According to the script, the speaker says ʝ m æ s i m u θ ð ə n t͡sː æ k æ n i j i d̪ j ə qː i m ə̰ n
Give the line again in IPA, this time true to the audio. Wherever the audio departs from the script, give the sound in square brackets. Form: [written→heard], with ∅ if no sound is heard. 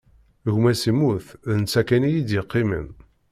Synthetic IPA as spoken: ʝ m æ s i m u θ ð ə n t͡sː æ k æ n i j i d̪ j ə qː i m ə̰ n